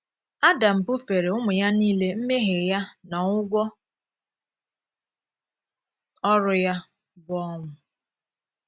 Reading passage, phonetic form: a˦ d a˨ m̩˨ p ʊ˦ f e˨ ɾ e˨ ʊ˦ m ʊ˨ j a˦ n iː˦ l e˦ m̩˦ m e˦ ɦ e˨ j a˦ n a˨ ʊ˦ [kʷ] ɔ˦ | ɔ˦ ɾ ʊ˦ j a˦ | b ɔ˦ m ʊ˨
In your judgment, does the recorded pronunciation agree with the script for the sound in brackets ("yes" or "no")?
no